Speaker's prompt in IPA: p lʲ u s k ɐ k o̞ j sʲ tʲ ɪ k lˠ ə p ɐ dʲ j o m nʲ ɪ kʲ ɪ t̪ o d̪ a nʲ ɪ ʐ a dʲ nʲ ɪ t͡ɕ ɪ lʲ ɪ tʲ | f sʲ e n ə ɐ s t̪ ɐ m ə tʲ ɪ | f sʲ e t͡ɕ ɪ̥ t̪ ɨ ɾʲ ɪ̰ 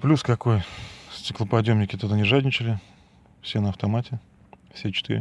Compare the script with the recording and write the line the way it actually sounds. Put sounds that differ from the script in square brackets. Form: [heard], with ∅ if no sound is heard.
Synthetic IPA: p lʲ u s k ɐ k o̞ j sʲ tʲ ɪ k lˠ ə p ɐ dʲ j o m nʲ ɪ kʲ ɪ t̪ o d̪ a nʲ ɪ ʐ a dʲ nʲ ɪ t͡ɕ ɪ lʲ ɪ [∅] | f sʲ e n ə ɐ [f] t̪ ɐ m [a] tʲ ɪ | f sʲ e t͡ɕ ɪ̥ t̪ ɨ ɾʲ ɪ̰